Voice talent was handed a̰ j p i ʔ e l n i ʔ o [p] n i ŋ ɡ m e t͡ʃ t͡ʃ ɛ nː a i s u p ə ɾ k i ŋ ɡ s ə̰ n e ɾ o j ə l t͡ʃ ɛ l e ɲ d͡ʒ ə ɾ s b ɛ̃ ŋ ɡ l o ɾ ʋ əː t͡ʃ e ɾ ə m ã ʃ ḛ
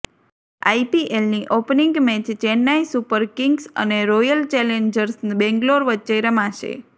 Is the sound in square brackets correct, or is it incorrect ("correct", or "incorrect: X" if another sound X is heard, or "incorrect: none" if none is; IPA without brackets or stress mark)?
correct